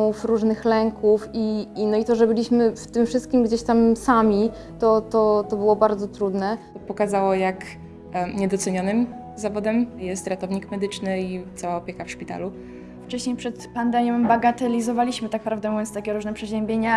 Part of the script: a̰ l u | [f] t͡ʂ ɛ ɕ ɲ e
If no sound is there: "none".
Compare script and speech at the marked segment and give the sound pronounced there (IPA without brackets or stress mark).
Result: f